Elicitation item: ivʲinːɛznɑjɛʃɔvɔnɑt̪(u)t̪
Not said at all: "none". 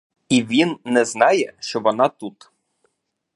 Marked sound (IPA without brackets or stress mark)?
u